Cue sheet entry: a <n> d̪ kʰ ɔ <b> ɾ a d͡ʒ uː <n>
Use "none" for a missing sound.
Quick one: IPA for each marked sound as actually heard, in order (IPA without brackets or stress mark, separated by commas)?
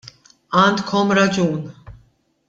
n, m, n